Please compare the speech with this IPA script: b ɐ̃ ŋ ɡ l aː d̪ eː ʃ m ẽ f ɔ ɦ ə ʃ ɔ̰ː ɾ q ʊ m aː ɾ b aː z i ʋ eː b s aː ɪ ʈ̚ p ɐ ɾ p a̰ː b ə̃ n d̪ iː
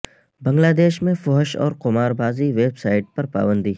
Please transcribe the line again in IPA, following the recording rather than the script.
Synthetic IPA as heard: b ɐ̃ ŋ ɡ l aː d̪ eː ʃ m ẽ f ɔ ɦ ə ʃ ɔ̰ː ɾ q ʊ m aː ɾ b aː z i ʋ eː b s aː ɪ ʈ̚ p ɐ ɾ p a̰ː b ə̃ n d̪ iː